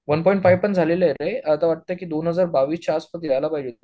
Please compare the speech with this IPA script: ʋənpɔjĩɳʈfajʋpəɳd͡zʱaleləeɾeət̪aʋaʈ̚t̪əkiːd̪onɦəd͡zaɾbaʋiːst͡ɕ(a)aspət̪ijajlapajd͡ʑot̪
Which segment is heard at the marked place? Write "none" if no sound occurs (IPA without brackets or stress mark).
a